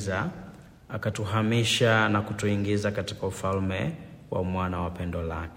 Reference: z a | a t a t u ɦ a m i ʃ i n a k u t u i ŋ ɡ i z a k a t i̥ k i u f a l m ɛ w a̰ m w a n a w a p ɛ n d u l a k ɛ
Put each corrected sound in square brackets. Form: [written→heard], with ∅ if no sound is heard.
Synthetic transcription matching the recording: z a | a [t→k] a t u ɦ a m i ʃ [i→a] n a k u t u i ŋ ɡ i z a k a t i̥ k [i→a] u f a l m ɛ w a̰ m w a n a w a p ɛ n d [u→ɔ] l a k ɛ